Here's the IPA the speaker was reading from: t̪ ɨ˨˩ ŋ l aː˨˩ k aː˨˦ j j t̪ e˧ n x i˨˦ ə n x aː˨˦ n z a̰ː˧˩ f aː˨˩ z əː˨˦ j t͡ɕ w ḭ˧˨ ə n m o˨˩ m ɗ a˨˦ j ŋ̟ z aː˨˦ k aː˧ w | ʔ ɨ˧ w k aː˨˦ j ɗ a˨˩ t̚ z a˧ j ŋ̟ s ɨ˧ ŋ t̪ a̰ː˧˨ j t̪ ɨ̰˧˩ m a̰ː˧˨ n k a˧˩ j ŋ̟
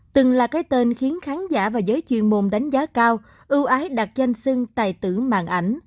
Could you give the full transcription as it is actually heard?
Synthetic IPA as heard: t̪ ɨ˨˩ ŋ l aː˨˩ k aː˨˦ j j t̪ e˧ n x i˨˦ ə n x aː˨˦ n z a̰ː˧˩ v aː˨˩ z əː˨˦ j t͡ɕ w ḭ˧˨ ə n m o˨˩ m ɗ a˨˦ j ŋ̟ z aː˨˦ k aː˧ w | ʔ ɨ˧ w ʔ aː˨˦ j ɗ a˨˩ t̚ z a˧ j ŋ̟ s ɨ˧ ŋ t̪ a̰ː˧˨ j t̪ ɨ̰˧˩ m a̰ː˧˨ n ʔ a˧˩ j ŋ̟